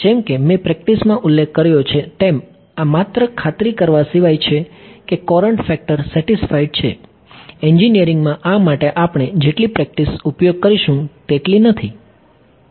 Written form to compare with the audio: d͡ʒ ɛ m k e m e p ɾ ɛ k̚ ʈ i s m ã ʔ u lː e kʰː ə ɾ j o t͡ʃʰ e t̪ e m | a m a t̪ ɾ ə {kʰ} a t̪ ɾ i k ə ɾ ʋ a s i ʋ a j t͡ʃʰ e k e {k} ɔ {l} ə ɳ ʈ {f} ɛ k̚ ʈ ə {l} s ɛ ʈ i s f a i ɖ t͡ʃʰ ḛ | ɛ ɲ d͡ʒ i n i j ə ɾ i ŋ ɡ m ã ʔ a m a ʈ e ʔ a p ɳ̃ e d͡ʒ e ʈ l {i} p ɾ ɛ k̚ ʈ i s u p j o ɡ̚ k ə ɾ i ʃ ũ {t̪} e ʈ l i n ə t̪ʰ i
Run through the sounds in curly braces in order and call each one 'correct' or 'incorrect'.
correct, correct, incorrect: ɾ, correct, incorrect: ɾ, correct, correct

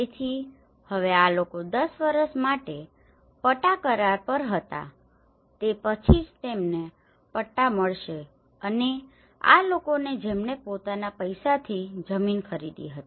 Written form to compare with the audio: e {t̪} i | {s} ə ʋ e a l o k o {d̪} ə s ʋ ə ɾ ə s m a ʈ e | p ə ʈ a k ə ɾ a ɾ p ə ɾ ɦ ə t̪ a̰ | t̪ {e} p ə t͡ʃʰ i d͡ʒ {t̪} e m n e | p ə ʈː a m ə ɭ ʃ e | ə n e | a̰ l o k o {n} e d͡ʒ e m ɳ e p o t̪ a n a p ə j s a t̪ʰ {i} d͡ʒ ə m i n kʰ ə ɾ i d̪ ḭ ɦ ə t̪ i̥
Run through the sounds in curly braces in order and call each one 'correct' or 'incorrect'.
incorrect: t̪ʰ, incorrect: h, correct, correct, correct, correct, correct

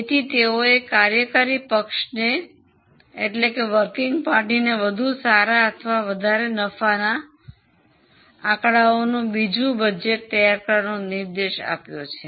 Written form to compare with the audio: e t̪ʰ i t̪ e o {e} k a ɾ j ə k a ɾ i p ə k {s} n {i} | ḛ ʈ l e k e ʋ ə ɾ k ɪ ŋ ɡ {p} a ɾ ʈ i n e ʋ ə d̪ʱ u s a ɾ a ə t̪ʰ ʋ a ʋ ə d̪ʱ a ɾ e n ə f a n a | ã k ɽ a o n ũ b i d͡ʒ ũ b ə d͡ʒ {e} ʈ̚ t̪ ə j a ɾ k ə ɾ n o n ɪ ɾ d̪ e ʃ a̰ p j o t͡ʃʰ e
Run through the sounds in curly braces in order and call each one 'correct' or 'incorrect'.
correct, incorrect: ʃ, incorrect: e, correct, correct

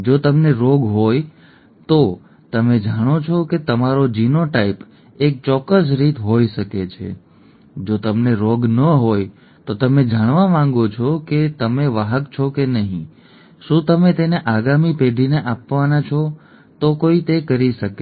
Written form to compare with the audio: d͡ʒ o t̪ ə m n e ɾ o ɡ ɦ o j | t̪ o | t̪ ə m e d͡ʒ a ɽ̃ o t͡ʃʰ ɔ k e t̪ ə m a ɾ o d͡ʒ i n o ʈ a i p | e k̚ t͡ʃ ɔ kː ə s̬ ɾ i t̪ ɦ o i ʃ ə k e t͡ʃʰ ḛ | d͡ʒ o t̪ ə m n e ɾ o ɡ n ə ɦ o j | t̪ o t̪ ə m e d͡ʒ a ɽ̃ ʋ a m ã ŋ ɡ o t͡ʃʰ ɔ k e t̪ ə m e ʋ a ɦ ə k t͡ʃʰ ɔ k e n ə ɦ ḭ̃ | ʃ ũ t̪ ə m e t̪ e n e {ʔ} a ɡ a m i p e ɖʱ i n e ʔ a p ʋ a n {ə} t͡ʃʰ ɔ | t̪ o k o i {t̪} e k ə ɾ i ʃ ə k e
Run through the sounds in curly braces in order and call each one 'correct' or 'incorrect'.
correct, incorrect: a, correct

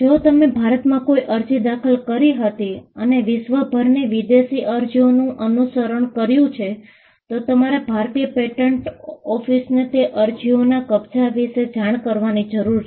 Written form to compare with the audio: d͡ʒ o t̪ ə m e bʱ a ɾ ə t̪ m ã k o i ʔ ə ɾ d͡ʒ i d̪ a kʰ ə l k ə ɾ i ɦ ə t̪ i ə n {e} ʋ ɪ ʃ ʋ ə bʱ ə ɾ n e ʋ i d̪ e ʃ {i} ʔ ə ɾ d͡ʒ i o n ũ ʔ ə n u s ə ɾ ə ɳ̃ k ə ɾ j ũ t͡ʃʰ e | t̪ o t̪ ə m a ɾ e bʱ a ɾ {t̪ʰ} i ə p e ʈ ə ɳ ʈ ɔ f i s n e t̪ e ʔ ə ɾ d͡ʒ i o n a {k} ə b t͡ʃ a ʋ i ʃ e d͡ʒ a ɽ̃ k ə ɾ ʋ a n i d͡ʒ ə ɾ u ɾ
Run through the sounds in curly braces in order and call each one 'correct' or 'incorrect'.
correct, correct, incorrect: t̪, correct

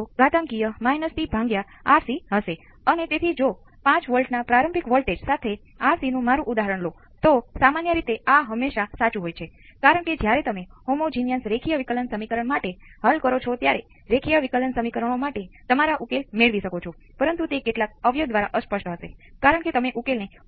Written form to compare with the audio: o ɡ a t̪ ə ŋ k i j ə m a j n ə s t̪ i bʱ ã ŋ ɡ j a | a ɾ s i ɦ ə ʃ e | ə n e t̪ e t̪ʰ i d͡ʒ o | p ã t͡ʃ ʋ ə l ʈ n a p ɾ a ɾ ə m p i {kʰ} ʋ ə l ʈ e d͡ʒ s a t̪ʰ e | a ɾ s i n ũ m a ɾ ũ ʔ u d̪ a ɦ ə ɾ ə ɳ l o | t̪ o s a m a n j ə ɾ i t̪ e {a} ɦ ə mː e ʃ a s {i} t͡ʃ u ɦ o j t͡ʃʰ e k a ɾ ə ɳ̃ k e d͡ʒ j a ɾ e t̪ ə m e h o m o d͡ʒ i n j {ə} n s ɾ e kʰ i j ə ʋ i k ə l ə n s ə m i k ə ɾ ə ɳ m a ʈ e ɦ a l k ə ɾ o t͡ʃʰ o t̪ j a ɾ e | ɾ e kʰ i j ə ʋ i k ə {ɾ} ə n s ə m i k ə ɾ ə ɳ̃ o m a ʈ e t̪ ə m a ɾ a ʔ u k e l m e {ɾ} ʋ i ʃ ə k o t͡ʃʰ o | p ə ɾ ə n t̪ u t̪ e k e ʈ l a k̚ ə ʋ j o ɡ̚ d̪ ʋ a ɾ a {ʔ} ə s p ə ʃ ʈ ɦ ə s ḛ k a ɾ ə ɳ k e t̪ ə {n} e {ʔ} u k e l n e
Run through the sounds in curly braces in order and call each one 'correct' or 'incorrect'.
incorrect: k, correct, incorrect: a, correct, incorrect: l, incorrect: ɭ, correct, incorrect: m, correct

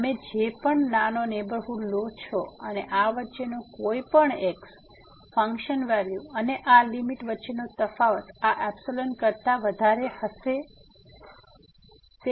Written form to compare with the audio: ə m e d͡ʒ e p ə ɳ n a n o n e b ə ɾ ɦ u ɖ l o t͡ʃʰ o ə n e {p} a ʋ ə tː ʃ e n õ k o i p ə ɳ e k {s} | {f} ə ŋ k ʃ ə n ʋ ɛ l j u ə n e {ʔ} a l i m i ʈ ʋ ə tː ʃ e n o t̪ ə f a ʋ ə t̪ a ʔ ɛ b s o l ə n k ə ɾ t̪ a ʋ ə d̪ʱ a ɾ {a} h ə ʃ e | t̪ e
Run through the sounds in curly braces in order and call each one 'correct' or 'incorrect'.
incorrect: ʔ, correct, correct, correct, incorrect: e

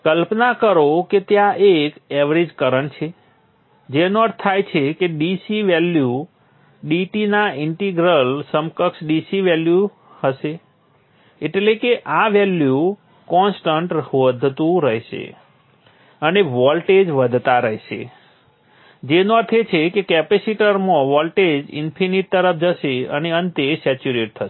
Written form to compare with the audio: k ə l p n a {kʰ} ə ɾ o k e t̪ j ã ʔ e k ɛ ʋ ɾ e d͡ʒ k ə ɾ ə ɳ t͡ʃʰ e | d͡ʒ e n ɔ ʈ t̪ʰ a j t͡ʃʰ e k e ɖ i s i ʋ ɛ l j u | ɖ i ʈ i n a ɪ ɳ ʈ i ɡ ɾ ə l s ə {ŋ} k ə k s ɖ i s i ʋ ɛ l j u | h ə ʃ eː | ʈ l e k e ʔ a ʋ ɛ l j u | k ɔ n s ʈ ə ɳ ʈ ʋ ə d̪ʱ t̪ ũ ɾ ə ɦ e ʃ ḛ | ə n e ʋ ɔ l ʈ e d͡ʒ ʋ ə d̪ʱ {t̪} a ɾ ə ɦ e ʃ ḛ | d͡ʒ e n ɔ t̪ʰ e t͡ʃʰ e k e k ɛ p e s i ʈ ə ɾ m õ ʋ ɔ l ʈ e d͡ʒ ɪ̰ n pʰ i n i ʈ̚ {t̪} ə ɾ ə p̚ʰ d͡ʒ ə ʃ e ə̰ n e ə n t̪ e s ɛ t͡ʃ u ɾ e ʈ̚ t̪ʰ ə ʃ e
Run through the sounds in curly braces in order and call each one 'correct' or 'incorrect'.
incorrect: k, incorrect: m, correct, correct

